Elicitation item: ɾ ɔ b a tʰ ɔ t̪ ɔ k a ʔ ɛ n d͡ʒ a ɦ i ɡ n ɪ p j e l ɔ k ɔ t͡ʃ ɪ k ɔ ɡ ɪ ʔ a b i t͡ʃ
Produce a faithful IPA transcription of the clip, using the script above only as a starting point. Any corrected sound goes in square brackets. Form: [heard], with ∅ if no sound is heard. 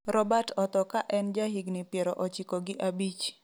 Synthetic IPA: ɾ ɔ b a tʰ ɔ t̪ ɔ k a ʔ ɛ n d͡ʒ a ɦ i ɡ n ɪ p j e [ɾ] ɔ [ʔ] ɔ t͡ʃ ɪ k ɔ ɡ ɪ ʔ a b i t͡ʃ